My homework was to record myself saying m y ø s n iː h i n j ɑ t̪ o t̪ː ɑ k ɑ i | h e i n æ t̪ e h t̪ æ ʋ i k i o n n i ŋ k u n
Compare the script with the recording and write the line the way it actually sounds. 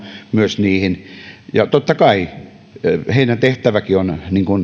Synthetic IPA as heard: m y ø s n iː h i n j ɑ t̪ o t̪ː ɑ k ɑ i | h e i n æ t̪ e h t̪ æ ʋ æ k i o n n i ŋ k u n